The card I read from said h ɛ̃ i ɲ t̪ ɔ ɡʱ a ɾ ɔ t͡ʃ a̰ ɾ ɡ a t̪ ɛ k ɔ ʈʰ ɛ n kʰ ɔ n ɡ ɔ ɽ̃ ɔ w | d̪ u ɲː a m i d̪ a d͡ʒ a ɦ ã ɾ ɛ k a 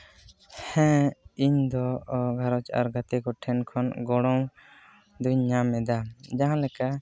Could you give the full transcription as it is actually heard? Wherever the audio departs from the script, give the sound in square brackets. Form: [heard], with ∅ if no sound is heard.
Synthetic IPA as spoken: h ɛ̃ i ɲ [d̪] ɔ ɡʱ a ɾ ɔ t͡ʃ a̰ ɾ ɡ a t̪ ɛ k ɔ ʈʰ ɛ n kʰ ɔ n ɡ ɔ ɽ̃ ɔ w | d̪ u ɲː a m [ɛ] d̪ a d͡ʒ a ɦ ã [l] ɛ k a